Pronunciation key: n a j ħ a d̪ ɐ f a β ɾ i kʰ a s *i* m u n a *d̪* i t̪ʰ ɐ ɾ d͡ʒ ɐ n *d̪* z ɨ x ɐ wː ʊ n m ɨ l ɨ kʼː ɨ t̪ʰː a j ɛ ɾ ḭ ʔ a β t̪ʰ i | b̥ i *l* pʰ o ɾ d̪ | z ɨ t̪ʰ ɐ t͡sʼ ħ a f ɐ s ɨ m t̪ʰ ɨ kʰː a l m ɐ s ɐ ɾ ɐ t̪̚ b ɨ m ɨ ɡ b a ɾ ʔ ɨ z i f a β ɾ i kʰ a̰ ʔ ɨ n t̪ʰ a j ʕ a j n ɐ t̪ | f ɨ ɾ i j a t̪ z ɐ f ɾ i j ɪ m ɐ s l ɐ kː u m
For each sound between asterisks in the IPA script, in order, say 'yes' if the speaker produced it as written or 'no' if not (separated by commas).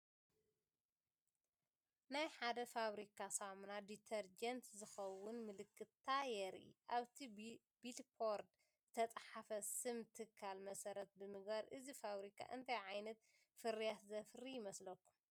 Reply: no, yes, no, yes